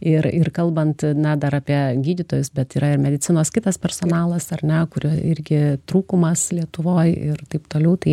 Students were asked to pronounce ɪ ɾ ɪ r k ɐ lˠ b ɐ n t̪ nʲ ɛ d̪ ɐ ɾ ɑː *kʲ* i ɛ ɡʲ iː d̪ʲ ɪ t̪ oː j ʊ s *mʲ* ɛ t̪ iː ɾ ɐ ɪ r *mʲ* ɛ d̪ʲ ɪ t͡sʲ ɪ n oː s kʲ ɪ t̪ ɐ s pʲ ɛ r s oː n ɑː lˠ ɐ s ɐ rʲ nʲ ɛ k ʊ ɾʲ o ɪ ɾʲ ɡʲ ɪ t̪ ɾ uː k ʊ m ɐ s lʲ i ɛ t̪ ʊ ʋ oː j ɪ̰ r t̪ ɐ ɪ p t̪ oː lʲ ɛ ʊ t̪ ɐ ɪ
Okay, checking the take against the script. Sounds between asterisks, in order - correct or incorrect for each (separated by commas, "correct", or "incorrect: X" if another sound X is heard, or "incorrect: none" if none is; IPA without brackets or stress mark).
incorrect: pʲ, incorrect: bʲ, correct